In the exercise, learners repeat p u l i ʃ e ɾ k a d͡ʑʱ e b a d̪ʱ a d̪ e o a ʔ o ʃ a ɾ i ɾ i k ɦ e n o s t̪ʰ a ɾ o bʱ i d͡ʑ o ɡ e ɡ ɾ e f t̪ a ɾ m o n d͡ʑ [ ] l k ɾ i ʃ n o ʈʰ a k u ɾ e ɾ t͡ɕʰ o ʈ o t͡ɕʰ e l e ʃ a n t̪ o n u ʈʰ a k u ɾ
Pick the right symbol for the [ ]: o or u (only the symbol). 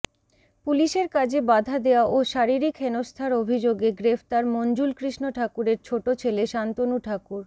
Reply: u